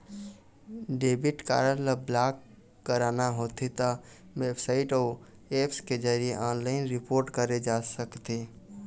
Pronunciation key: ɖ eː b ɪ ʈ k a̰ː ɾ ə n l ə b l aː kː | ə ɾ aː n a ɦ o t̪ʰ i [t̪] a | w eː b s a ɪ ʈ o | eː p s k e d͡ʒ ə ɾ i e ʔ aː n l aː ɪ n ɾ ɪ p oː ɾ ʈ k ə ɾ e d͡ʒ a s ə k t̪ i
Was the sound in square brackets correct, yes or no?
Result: yes